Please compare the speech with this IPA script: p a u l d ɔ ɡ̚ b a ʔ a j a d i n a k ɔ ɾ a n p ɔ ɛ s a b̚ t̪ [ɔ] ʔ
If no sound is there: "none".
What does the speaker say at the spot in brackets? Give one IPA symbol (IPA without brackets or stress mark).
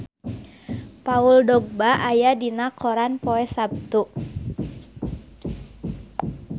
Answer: u